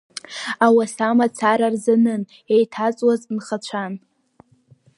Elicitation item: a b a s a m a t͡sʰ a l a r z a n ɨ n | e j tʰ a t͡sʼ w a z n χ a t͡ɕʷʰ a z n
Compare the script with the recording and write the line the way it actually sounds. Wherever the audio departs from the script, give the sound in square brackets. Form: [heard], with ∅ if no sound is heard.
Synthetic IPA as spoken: a [w] a s a m a t͡sʰ a [ɾ] a r z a n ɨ n | e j tʰ a t͡sʼ w a z n χ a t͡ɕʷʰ a [∅] n